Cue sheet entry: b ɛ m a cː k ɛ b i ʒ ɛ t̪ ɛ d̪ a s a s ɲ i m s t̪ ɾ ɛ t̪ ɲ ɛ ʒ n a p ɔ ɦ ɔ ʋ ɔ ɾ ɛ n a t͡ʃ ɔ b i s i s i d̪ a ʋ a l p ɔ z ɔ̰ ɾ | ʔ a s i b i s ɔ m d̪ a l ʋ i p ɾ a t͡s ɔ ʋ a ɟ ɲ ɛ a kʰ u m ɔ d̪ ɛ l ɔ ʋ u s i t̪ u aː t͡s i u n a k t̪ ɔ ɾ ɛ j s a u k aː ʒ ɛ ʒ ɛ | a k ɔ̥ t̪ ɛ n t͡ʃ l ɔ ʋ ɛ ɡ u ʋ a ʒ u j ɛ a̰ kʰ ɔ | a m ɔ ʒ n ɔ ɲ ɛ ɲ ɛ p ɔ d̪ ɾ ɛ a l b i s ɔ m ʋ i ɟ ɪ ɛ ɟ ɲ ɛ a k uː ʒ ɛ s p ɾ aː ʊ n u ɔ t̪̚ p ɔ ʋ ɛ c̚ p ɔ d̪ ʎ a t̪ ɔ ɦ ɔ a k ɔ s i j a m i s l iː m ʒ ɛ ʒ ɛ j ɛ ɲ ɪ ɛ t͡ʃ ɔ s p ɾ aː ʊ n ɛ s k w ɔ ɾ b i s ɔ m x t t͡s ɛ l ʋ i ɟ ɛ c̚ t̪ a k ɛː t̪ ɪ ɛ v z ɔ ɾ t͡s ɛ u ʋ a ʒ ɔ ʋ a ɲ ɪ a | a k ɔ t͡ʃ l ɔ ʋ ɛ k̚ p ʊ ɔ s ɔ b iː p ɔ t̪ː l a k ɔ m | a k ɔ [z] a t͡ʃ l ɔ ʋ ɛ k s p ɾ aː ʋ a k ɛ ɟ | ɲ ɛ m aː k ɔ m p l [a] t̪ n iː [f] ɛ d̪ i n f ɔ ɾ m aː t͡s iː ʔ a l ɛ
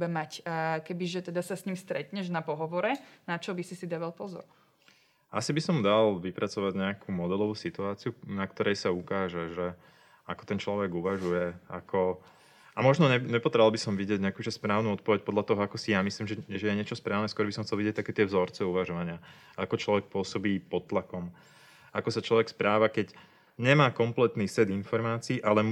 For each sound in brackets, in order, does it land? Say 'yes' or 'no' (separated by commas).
no, no, no